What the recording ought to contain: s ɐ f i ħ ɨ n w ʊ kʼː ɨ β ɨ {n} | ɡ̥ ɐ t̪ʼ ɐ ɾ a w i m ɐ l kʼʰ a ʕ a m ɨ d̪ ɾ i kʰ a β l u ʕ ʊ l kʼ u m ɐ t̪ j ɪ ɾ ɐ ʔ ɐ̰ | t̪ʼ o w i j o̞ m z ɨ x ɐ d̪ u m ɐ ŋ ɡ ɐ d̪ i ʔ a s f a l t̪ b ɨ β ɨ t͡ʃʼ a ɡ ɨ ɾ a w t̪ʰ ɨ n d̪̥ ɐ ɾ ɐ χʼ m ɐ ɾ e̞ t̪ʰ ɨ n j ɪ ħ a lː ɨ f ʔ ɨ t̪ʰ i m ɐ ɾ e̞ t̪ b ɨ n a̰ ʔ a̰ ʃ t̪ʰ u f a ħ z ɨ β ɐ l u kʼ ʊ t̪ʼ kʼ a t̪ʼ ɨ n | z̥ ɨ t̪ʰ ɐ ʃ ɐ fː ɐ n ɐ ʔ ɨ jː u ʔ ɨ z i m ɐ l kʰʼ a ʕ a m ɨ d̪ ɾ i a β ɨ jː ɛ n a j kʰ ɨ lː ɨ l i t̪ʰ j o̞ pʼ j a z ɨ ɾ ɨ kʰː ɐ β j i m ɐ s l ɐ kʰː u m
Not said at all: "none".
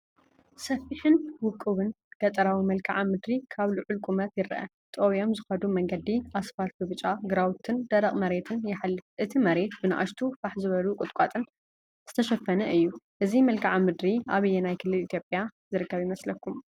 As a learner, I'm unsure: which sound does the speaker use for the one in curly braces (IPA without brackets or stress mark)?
n